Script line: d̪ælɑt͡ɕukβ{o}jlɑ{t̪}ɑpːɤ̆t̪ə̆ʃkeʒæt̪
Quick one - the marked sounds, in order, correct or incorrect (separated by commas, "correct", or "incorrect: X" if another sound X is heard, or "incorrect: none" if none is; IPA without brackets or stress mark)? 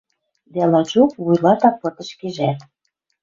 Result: incorrect: u, correct